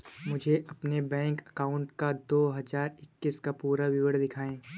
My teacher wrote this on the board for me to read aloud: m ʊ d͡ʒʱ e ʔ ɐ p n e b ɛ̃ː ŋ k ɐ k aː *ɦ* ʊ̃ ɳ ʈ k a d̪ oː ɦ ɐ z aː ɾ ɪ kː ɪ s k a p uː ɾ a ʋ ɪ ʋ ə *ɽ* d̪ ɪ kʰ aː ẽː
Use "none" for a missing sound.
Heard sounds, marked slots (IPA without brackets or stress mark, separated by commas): none, ɽ